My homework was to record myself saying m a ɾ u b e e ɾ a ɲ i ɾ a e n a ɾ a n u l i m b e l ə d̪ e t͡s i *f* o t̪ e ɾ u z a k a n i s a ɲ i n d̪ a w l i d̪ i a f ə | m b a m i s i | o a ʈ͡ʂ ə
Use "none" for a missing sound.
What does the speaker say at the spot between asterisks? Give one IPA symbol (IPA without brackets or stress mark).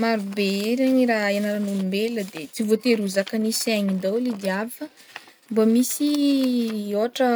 v